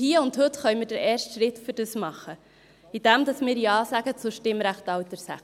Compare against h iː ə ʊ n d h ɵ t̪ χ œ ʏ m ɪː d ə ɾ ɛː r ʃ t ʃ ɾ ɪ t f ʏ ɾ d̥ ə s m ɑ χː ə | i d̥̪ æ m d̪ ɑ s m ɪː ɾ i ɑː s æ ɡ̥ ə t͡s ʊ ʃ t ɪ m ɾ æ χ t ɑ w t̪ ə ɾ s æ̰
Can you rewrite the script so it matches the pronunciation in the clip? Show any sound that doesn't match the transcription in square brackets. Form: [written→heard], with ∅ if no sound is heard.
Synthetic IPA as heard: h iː ə ʊ n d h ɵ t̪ χ œ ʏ m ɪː d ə ɾ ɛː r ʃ t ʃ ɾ ɪ t f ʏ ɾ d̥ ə s m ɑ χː ə | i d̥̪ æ m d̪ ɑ s m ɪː ɾ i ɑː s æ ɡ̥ ə t͡s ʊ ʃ t ɪ m ɾ æ χ t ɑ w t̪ ə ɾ s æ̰

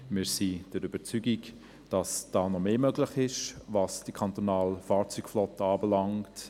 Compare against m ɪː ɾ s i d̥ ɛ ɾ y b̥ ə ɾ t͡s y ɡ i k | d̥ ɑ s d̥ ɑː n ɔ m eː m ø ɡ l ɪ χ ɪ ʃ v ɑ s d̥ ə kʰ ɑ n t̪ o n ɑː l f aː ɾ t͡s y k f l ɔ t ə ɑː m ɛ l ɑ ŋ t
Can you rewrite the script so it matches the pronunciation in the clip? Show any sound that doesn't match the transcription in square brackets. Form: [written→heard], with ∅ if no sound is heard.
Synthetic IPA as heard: m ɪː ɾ s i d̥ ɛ ɾ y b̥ ə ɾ t͡s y ɡ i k | d̥ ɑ s d̥ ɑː n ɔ m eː m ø ɡ l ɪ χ ɪ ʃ v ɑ s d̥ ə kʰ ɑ n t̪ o n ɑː l f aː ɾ t͡s y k f l ɔ t ə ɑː [m→b] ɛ l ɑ ŋ t

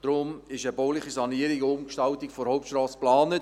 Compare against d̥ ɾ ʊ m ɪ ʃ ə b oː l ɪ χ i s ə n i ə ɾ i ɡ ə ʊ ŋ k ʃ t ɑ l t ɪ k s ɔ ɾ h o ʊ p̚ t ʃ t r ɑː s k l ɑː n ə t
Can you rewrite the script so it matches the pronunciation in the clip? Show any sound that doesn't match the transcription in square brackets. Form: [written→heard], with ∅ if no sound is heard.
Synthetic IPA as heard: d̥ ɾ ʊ m ɪ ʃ ə b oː l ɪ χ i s [ə→ɑ] n i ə ɾ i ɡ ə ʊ [ŋ→m] k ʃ t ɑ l t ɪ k [s→f] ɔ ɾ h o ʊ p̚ t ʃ t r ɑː s [k→p] l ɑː n ə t

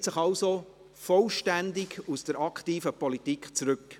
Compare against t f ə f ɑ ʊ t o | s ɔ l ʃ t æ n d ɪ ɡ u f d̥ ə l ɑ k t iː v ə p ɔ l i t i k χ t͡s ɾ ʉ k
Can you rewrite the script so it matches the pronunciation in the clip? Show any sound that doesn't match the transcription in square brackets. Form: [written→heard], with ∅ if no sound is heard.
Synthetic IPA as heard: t [f→s] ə [f→χ] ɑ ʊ [t→s] o | [s→f] ɔ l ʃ t æ n d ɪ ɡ u [f→s] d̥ ə [l→ɾ] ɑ k t iː [v→f] ə p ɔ l i t i k χ t͡s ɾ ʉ k

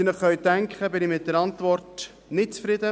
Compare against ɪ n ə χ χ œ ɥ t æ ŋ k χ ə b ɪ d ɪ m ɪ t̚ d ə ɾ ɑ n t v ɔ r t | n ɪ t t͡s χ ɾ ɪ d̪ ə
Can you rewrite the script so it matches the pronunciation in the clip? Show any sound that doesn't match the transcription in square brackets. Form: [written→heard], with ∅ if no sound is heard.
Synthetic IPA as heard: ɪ n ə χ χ œ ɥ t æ ŋ k χ ə b ɪ [d→n] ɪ m ɪ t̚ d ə ɾ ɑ n t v ɔ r t | n ɪ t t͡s [χ→f] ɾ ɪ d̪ ə

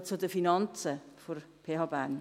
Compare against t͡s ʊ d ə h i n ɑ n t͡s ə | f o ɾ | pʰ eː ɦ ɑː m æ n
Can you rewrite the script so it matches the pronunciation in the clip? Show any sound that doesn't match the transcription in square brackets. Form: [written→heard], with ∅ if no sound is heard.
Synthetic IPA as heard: t͡s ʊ d ə [h→f] i n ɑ n t͡s ə | f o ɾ | pʰ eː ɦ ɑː [m→b] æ n

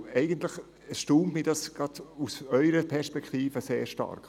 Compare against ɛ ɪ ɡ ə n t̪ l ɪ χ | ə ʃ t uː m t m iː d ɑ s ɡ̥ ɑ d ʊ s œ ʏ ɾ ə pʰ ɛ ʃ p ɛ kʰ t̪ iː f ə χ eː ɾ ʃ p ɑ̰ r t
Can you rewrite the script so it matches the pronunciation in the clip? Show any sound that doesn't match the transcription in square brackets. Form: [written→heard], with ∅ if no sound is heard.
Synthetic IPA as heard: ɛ ɪ ɡ ə n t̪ l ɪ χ | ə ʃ t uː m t m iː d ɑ s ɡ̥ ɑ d [ʊ→u] s œ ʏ ɾ ə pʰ ɛ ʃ p ɛ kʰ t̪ iː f ə [χ→s] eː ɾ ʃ [p→t] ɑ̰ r [t→k]

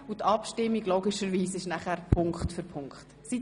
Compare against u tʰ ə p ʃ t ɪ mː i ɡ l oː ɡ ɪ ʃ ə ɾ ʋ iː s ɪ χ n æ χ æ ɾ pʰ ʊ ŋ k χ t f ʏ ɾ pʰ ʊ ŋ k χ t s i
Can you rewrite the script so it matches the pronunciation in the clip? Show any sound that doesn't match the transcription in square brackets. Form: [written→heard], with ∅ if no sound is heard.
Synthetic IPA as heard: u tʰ [ə→ɑ] p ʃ t ɪ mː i ɡ l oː ɡ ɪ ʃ ə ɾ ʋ iː s ɪ [χ→ʃ] n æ χ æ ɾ pʰ ʊ ŋ k χ t f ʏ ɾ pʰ ʊ ŋ k χ t s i

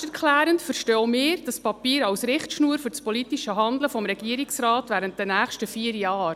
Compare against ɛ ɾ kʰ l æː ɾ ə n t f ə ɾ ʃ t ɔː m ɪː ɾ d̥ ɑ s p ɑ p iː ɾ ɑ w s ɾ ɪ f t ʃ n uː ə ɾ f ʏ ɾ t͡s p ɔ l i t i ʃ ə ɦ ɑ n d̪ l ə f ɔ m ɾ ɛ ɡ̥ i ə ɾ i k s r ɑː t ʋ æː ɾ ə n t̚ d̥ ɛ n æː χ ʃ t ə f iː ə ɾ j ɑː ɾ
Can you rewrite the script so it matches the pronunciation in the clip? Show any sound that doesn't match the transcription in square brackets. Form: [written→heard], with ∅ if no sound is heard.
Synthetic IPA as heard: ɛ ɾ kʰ l æː ɾ ə n t f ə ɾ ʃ t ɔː m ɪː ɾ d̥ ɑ s p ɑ p iː ɾ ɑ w s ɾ ɪ [f→χ] t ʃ n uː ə ɾ f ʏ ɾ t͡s p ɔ l i t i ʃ ə ɦ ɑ n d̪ l ə f ɔ m ɾ ɛ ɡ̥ i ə ɾ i k s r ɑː t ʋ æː ɾ ə n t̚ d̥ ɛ n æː χ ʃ t ə f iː ə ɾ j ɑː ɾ

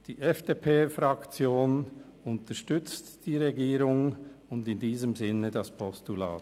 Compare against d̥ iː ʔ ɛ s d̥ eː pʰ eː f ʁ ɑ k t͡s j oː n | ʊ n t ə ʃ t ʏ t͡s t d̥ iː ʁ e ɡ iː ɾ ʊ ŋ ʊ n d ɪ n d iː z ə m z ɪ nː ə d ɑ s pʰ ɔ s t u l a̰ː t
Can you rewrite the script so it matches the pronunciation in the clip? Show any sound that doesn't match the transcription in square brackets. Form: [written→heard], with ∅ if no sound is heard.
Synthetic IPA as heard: d̥ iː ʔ ɛ [s→f] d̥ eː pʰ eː f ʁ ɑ k t͡s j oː n | ʊ n t ə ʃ t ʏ t͡s t d̥ iː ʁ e ɡ iː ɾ ʊ ŋ ʊ n d ɪ n d iː z ə m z ɪ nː ə d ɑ s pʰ ɔ s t u l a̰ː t

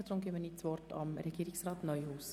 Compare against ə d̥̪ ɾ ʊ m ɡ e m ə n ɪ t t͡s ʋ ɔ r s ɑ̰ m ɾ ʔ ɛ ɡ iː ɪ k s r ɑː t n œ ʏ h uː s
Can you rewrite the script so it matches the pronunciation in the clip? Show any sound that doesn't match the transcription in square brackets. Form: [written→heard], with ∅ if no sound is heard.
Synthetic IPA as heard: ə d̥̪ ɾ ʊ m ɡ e m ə n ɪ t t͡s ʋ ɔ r [s→t] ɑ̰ m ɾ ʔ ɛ ɡ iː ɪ k s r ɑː t n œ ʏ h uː s

